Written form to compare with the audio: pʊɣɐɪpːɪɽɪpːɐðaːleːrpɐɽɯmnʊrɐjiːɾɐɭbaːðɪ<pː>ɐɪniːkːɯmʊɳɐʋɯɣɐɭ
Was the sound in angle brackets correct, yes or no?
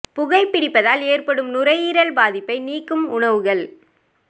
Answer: yes